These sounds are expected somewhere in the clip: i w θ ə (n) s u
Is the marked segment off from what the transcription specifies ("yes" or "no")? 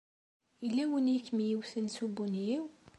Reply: no